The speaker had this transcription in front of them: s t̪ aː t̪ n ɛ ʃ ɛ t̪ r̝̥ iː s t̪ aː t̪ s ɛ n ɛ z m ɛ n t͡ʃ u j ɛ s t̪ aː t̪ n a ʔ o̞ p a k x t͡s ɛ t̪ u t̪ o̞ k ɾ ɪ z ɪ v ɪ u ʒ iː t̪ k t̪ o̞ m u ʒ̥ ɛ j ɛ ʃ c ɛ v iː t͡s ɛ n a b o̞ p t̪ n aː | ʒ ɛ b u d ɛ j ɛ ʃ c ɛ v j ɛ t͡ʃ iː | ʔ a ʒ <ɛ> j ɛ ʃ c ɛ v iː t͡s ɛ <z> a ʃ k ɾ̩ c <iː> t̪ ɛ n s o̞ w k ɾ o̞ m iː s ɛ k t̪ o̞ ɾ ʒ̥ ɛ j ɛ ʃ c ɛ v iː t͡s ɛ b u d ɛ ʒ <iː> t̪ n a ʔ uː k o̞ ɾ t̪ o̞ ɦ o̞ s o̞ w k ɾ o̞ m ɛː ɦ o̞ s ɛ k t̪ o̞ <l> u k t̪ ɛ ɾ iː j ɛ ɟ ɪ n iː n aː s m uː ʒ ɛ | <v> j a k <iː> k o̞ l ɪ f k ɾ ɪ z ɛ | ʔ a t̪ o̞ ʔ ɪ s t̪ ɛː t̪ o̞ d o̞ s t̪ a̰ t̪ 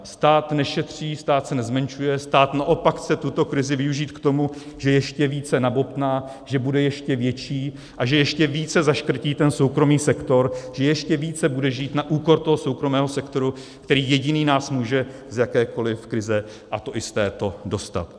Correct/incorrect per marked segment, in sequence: correct, correct, correct, correct, incorrect, incorrect, incorrect

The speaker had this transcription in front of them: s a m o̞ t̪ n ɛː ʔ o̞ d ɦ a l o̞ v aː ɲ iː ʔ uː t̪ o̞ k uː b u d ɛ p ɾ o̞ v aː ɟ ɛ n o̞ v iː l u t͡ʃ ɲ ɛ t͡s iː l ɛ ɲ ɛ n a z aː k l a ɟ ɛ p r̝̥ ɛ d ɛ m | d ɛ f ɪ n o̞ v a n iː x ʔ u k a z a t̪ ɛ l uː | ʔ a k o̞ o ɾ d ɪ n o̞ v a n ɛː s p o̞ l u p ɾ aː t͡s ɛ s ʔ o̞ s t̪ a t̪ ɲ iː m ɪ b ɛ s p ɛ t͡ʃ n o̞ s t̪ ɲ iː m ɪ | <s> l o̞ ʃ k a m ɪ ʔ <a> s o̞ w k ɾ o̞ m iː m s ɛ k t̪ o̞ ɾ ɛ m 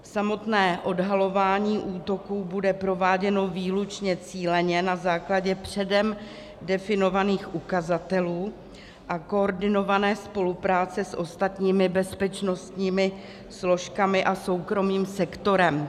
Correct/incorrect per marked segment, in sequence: correct, correct

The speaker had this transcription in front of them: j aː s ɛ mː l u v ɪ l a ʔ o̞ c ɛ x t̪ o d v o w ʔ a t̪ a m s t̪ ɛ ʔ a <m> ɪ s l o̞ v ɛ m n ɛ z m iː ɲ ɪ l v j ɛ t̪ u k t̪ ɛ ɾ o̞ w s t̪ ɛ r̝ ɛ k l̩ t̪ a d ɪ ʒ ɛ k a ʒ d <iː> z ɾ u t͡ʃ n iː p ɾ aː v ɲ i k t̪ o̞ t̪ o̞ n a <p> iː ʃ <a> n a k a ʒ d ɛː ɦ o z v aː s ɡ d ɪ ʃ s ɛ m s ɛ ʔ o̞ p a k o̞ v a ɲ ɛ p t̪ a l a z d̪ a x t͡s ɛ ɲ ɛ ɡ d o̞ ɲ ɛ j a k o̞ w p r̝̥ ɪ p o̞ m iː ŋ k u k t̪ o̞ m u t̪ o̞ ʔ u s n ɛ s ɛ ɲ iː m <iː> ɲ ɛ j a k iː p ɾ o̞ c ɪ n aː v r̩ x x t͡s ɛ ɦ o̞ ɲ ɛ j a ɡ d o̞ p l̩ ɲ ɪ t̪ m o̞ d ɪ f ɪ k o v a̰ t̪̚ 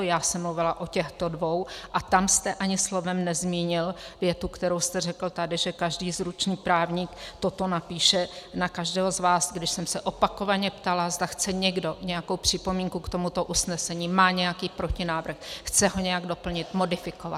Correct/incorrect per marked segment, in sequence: incorrect, correct, correct, incorrect, incorrect

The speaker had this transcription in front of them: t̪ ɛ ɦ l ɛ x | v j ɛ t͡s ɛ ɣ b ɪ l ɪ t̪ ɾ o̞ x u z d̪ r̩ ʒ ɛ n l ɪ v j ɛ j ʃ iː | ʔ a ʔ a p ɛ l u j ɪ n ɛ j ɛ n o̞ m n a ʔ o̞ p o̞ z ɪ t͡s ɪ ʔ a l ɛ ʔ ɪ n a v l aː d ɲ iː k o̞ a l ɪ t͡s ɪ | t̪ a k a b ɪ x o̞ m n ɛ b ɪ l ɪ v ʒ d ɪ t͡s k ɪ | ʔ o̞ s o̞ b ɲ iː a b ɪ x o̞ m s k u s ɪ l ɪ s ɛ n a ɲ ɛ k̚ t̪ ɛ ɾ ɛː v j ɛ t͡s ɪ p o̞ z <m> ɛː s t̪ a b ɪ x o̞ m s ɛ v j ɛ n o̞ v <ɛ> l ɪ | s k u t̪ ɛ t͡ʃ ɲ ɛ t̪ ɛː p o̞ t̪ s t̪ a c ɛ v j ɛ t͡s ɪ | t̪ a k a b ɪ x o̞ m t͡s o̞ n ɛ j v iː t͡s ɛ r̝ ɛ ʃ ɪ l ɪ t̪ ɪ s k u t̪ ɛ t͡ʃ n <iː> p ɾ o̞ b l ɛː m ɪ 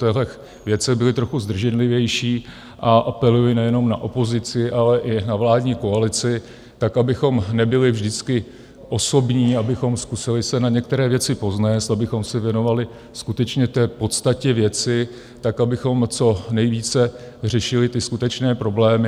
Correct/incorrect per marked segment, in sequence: incorrect, incorrect, incorrect

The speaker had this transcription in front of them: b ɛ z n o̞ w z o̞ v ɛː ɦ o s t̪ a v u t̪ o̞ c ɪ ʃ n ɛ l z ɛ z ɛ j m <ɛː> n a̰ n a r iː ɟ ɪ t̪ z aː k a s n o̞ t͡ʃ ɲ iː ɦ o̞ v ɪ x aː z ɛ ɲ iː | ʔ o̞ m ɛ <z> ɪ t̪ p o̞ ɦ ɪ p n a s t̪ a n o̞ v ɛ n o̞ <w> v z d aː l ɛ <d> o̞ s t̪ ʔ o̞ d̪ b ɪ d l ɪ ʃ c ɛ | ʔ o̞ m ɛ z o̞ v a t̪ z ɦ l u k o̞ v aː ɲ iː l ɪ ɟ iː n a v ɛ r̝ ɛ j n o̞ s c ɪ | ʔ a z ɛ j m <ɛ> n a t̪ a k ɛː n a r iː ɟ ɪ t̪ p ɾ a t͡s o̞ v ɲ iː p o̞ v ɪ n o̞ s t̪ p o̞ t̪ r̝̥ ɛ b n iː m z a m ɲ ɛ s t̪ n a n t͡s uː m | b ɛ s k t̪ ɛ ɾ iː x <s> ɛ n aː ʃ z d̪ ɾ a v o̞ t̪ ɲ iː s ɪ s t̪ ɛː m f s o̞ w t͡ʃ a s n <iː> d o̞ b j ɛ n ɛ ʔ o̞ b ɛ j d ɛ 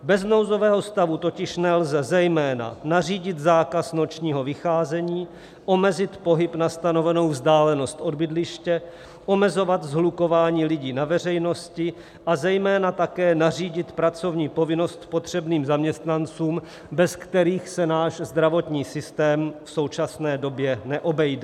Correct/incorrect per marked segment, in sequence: correct, correct, correct, incorrect, incorrect, correct, incorrect

